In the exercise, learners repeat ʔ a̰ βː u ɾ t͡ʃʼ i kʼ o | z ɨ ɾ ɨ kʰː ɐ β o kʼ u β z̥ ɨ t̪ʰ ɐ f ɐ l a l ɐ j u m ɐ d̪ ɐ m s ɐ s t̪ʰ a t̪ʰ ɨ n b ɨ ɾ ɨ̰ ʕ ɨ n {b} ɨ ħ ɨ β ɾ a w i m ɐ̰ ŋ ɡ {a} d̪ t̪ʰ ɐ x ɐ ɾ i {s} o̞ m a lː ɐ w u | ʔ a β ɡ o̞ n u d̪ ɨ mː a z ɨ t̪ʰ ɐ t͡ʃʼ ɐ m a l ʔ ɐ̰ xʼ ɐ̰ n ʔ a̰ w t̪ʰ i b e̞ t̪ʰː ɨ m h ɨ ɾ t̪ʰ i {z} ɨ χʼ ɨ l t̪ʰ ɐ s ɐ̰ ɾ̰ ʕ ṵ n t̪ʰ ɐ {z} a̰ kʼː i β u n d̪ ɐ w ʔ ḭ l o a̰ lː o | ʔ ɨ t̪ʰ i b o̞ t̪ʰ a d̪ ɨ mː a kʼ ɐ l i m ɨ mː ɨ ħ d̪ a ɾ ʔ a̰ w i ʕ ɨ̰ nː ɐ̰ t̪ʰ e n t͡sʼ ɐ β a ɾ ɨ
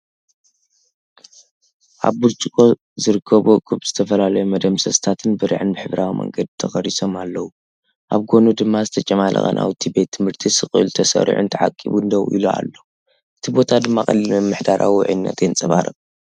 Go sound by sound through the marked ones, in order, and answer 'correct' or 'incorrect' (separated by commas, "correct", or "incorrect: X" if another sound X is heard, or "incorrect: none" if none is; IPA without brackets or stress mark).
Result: correct, incorrect: ɐ, correct, incorrect: s, incorrect: ʕ